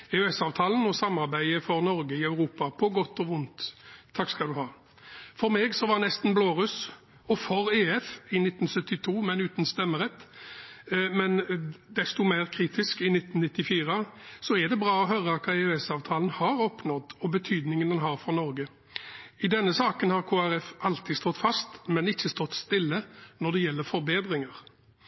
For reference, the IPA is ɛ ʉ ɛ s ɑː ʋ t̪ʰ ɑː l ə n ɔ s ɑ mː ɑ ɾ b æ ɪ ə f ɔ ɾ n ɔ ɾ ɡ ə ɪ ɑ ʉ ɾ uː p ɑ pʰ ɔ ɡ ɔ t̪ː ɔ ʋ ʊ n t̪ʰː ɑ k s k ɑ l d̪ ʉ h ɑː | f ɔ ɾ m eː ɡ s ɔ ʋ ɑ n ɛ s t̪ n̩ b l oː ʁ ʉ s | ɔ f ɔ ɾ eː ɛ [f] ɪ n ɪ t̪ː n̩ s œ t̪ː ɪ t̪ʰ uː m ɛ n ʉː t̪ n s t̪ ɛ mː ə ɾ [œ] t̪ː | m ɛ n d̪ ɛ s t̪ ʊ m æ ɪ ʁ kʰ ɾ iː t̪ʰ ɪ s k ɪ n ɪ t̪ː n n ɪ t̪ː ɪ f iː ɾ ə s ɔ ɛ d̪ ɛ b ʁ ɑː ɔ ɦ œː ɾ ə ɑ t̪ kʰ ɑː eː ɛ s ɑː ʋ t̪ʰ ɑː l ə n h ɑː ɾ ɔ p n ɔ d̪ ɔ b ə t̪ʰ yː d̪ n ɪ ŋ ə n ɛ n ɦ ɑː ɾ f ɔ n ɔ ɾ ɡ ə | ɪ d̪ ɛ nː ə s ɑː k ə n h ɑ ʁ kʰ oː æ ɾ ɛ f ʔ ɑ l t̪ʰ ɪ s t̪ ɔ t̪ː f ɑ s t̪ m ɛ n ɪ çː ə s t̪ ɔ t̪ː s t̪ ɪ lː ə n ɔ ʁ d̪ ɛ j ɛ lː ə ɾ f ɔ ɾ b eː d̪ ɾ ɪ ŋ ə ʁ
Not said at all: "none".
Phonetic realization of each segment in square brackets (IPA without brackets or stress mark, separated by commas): f, ɛ